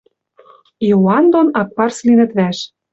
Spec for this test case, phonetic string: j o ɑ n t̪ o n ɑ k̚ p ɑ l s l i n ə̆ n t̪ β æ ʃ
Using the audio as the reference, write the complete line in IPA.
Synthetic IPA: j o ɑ n d̪ o n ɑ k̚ p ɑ r s l i n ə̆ t̪ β æ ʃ